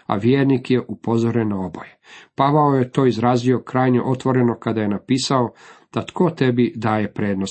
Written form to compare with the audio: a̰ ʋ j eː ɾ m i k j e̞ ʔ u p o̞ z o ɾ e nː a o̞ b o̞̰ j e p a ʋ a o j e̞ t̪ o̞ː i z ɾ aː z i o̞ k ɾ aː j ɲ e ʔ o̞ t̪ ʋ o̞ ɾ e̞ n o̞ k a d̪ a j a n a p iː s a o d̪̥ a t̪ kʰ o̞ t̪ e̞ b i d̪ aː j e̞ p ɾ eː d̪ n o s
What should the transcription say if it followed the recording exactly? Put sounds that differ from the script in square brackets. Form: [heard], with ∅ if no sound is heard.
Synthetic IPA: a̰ ʋ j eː ɾ [n] i k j e̞ ʔ u p o̞ z o ɾ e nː a o̞ b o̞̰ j e p a ʋ a o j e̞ t̪ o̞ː i z ɾ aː z i o̞ k ɾ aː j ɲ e ʔ o̞ t̪ ʋ o̞ ɾ e̞ n o̞ k a d̪ a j [e] n a p iː s a o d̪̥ a t̪ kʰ o̞ t̪ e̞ b i d̪ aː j e̞ p ɾ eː d̪ n o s